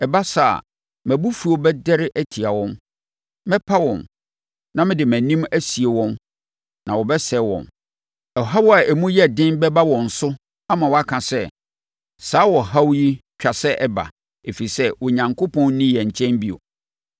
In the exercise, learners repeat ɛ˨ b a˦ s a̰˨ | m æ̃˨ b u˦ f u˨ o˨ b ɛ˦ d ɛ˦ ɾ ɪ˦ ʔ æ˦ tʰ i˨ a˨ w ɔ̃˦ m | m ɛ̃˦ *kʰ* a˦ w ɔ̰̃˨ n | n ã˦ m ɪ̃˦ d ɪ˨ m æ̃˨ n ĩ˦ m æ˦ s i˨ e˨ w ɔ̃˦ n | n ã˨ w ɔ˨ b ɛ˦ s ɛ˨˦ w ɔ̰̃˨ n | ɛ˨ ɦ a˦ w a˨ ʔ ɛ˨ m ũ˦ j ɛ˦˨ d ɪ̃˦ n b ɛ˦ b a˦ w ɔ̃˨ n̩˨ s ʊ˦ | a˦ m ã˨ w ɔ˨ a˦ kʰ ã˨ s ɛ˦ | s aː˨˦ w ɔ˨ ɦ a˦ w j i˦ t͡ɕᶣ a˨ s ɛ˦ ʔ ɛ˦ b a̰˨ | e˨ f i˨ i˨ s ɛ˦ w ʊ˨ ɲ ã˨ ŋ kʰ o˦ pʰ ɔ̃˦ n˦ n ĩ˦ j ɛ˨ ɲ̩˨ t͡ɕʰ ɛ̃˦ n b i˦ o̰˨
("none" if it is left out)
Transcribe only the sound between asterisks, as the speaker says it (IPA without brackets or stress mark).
pʰ